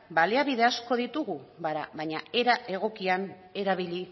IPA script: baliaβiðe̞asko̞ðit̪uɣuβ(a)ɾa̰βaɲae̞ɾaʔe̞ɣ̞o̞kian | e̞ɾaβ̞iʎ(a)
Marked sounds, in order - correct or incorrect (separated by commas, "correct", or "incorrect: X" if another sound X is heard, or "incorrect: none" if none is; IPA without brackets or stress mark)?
correct, incorrect: i